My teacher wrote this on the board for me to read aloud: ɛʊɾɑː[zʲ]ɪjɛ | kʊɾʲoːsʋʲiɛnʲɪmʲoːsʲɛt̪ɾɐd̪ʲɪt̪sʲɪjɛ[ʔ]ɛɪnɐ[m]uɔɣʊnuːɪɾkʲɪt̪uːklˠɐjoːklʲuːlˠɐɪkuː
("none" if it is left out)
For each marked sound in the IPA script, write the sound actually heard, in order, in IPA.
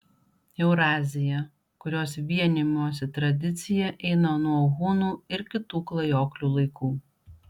zʲ, ʔ, n

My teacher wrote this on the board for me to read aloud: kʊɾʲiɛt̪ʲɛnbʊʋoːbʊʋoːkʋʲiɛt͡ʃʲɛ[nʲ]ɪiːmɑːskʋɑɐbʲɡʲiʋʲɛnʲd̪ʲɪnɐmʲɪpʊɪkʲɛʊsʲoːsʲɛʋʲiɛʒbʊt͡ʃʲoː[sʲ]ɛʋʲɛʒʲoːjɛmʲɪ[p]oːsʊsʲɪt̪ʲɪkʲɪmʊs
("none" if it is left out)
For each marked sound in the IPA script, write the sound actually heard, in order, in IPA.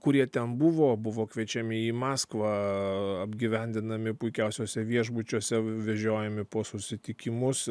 mʲ, sʲ, p

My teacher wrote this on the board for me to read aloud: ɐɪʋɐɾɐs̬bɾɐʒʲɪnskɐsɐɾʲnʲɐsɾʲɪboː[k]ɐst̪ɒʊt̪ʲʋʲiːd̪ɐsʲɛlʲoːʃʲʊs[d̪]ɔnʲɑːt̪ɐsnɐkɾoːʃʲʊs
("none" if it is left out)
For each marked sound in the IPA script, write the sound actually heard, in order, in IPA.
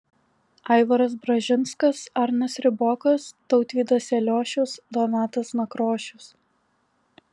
k, d̪

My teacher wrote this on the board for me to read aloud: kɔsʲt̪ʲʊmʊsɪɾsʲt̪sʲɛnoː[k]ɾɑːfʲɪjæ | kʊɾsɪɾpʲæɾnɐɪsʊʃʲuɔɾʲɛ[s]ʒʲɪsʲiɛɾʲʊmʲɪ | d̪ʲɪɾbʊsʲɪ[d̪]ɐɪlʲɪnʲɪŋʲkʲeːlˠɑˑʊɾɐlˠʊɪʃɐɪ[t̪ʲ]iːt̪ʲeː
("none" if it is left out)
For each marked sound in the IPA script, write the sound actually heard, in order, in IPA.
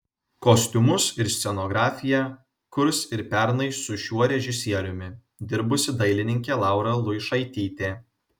ɡ, none, d̪, t̪ʲ

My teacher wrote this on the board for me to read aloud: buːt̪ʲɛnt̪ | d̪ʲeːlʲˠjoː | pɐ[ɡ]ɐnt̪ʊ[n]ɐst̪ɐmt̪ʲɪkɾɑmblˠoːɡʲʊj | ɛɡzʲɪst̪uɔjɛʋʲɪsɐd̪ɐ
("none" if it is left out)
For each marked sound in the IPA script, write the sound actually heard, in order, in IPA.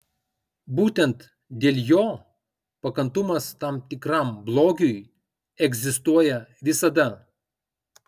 k, m

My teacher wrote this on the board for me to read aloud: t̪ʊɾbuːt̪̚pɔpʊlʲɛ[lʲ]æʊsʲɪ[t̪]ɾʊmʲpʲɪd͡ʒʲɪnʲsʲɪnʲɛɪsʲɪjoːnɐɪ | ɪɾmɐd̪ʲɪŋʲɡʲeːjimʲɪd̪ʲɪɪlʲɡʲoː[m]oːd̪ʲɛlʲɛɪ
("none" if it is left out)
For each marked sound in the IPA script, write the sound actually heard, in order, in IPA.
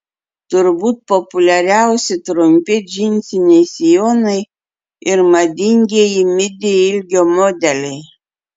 ɾʲ, t̪, m

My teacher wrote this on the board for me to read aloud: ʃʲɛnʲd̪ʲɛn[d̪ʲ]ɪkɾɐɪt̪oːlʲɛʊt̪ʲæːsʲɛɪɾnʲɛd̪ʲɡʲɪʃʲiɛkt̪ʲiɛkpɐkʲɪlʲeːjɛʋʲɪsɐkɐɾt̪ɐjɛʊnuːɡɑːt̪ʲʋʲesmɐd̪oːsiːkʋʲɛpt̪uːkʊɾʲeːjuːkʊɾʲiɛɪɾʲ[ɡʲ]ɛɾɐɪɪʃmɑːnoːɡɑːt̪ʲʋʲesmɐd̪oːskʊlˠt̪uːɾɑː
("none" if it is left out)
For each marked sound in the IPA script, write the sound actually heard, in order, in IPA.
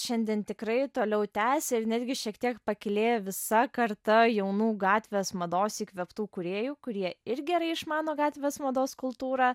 t̪ʲ, ɡʲ

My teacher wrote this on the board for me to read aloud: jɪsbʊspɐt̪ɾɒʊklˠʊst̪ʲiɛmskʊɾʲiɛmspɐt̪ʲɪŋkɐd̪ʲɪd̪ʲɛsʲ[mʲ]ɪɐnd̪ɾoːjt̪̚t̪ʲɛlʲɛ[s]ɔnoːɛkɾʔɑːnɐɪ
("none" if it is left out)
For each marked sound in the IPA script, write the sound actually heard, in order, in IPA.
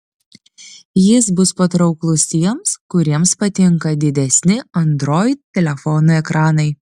nʲ, f

